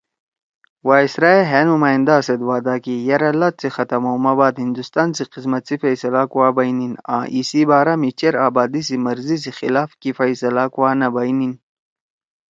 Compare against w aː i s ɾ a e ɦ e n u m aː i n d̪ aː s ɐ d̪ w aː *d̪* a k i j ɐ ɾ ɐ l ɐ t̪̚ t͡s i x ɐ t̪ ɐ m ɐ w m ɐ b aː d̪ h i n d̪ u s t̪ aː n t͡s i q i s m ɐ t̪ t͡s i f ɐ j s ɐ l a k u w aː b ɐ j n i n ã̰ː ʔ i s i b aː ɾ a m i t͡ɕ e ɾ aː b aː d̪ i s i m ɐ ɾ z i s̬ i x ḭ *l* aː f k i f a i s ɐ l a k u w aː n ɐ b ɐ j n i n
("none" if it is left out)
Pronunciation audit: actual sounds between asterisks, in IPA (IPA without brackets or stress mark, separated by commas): d̪, l